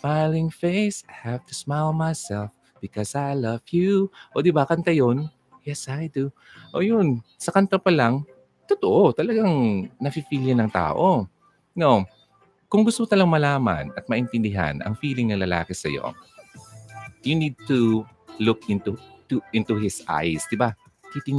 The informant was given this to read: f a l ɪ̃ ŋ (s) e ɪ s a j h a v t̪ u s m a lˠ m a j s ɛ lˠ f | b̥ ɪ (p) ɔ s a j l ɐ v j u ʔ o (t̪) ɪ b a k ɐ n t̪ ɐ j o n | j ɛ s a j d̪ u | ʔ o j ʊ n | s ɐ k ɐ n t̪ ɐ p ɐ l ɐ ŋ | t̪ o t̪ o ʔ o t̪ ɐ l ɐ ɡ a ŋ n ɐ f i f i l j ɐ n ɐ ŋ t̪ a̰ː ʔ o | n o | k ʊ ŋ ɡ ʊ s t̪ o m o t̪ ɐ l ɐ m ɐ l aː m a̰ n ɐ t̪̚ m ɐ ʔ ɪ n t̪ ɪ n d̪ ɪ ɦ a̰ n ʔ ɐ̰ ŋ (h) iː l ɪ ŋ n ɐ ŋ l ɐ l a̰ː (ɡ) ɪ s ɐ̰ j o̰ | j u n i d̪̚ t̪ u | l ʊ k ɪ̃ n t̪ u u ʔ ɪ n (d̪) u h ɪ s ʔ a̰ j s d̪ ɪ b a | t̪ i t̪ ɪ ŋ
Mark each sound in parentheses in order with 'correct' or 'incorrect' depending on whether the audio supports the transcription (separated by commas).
incorrect, incorrect, incorrect, incorrect, incorrect, incorrect